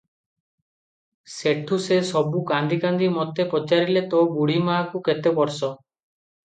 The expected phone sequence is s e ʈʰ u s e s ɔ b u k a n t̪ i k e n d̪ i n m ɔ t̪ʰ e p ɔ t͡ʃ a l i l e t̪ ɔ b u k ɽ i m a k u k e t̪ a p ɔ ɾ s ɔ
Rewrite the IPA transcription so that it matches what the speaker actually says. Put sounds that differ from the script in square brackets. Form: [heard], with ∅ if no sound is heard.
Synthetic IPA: s e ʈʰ u s e s ɔ b u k a n [d̪] i k [a] n d̪ i [∅] m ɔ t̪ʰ e p ɔ t͡ʃ a [ɾ] i l e t̪ ɔ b u [∅] ɽ i m a k u k e t̪ [e] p ɔ ɾ s ɔ